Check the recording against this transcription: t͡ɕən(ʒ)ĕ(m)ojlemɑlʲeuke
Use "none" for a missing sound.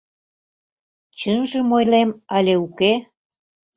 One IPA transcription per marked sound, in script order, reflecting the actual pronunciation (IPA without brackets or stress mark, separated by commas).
ʒ, m